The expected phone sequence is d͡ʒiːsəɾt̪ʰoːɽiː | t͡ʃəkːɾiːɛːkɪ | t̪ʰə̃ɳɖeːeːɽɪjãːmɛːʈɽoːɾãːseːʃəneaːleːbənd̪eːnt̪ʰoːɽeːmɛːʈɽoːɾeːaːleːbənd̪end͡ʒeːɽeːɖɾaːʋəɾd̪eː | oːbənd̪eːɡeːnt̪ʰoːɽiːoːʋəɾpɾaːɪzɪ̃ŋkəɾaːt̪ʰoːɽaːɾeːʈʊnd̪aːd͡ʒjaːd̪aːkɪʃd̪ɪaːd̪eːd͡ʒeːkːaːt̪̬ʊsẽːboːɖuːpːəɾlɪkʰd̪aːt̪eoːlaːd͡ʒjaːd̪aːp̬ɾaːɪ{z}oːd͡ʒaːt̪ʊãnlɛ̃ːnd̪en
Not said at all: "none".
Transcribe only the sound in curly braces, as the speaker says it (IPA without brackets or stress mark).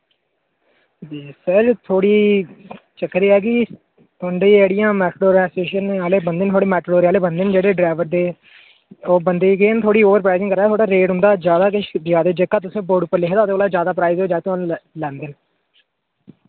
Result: z